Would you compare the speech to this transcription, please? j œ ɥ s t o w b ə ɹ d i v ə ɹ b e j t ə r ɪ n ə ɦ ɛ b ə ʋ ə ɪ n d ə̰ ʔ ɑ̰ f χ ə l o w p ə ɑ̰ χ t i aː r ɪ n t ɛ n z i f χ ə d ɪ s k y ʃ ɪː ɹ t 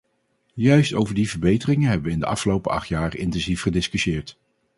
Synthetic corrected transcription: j œ ɥ s t o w v ə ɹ d i v ə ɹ b e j t ə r ɪ ŋ ə ɦ ɛ b ə ʋ ə ɪ n d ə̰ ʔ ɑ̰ f χ ə l o w p ə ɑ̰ χ t j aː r ɪ n t ɛ n z i f χ ə d ɪ s k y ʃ ɪː ɹ t